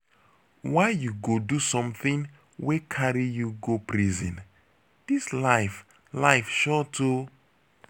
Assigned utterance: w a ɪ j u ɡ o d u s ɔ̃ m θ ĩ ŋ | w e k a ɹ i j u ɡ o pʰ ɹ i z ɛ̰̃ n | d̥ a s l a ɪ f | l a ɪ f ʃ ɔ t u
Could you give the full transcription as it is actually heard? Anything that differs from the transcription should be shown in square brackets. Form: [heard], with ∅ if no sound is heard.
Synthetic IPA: w a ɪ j u ɡ o d u s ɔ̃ m θ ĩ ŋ | w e [kʰ] a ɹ i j u ɡ o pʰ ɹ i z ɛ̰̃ n | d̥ [i] s l a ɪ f | l a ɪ f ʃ ɔ t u